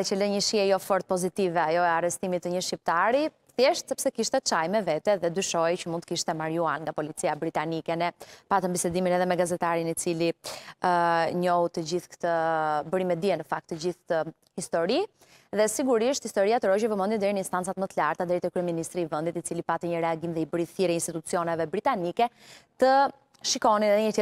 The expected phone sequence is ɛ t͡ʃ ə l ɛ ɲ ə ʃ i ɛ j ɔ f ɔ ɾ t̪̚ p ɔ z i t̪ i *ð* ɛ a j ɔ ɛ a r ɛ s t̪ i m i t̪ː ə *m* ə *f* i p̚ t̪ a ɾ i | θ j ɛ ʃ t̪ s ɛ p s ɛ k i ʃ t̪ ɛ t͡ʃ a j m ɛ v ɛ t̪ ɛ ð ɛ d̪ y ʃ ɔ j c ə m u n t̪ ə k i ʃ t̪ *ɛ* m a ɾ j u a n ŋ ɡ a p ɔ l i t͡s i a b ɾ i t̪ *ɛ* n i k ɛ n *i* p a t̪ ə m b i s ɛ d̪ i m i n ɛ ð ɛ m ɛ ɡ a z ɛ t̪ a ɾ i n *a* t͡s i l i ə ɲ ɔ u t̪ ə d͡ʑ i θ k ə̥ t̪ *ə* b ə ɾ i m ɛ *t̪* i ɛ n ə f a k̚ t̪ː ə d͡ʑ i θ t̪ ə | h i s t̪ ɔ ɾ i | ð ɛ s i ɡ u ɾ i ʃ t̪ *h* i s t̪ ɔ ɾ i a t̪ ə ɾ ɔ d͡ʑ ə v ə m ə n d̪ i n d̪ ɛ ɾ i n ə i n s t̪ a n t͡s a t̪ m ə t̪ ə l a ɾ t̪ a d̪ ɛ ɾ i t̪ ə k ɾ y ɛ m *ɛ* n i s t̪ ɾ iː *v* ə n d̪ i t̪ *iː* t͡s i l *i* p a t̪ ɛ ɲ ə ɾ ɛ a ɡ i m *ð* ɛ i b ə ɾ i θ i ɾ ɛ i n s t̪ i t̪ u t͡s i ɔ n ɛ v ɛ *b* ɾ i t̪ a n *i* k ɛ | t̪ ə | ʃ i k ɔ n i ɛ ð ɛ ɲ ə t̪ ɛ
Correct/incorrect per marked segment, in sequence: incorrect, incorrect, incorrect, correct, incorrect, incorrect, incorrect, correct, incorrect, correct, incorrect, correct, incorrect, correct, correct, correct, correct

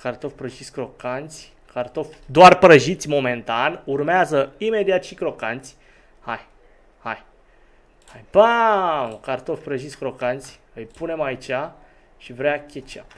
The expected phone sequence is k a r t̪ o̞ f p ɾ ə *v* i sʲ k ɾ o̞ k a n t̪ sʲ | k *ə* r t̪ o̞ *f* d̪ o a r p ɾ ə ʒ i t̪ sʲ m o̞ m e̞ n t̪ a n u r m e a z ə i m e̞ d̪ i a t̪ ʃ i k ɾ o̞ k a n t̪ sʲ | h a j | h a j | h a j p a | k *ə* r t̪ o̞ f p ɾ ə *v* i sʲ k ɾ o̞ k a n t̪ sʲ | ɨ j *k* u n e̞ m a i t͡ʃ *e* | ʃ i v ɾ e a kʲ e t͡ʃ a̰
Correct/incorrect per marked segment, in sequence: incorrect, incorrect, correct, incorrect, incorrect, incorrect, incorrect

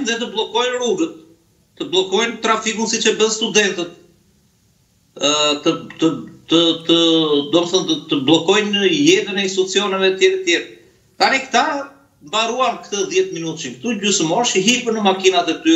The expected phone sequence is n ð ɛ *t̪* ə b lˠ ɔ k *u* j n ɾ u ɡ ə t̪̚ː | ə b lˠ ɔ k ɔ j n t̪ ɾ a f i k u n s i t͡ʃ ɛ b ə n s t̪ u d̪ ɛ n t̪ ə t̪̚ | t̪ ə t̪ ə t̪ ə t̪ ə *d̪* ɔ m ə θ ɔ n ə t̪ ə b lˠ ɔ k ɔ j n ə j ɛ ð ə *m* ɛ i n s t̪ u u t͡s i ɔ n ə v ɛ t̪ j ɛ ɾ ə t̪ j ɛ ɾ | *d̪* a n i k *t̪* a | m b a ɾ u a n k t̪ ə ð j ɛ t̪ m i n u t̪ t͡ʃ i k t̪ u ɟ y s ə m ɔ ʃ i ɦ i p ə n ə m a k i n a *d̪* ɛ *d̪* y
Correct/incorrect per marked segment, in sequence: correct, incorrect, correct, incorrect, incorrect, correct, incorrect, incorrect

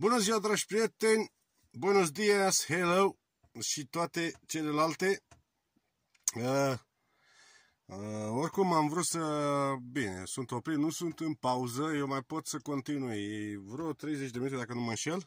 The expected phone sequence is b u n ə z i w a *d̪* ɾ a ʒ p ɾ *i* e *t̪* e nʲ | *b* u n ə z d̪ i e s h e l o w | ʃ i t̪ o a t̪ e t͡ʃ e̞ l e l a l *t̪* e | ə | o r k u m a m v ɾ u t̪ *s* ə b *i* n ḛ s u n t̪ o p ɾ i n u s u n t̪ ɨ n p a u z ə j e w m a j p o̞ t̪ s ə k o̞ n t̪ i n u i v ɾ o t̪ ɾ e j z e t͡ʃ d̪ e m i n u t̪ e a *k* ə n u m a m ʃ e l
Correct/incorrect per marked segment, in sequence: correct, correct, correct, correct, correct, correct, correct, correct

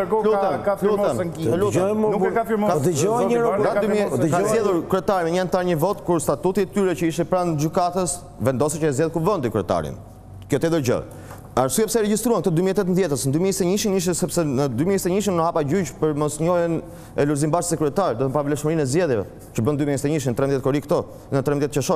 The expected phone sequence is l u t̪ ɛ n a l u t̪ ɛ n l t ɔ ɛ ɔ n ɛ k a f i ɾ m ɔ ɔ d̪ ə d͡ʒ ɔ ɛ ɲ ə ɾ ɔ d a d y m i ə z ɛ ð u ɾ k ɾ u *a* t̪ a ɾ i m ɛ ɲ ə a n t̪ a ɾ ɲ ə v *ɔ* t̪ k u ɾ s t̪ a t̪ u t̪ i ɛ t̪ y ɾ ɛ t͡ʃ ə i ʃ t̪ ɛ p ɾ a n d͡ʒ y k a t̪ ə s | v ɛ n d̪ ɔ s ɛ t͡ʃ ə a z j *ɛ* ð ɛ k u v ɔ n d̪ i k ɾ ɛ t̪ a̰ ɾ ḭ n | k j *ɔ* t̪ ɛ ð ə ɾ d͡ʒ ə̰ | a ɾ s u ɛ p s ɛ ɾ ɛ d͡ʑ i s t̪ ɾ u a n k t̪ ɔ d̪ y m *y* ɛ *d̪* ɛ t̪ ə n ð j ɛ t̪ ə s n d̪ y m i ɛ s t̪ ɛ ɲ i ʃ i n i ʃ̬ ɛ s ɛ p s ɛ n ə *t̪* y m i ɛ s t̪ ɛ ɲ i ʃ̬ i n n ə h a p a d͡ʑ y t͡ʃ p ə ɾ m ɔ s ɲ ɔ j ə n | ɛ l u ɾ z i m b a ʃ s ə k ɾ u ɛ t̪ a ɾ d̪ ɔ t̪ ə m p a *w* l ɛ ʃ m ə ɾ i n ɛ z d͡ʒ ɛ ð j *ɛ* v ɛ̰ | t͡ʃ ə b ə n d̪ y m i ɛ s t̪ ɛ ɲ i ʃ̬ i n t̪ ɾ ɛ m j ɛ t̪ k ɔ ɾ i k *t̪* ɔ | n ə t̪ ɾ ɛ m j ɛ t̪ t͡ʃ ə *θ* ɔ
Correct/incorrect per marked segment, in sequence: incorrect, correct, correct, correct, incorrect, incorrect, incorrect, incorrect, correct, correct, incorrect

